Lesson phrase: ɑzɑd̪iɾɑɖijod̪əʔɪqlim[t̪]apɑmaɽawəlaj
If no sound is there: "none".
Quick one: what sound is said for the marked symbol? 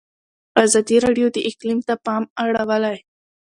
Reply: t̪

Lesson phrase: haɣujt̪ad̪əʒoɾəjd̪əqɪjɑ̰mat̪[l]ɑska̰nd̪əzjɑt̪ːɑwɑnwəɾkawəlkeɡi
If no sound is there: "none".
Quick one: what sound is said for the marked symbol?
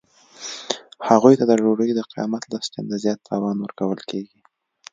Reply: l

